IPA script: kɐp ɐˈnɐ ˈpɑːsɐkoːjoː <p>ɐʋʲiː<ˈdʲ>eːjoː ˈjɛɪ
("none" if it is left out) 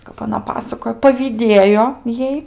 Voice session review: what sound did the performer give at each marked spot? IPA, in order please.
p, dʲ

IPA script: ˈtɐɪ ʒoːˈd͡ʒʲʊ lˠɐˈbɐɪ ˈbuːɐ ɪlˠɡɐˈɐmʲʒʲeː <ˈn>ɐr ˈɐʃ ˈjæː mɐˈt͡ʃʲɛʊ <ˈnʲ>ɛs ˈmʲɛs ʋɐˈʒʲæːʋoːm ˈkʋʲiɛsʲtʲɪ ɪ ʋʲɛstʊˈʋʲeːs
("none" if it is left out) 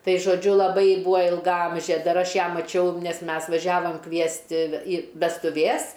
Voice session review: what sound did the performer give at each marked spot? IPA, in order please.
d, nʲ

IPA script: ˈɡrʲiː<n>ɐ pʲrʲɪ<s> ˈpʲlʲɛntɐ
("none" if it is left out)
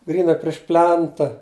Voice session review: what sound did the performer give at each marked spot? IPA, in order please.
n, ʃ

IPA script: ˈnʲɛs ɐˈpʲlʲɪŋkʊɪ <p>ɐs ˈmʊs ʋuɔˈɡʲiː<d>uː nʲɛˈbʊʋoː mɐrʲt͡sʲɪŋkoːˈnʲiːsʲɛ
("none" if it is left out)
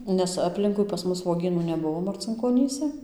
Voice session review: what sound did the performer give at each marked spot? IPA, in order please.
p, n

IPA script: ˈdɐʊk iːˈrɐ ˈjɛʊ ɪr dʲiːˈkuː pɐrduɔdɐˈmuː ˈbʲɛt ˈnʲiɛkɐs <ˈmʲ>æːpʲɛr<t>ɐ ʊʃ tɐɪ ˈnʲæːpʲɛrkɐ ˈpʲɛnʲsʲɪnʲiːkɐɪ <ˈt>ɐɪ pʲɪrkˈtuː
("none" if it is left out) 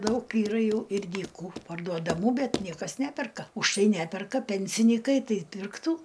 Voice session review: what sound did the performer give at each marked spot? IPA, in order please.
nʲ, k, t

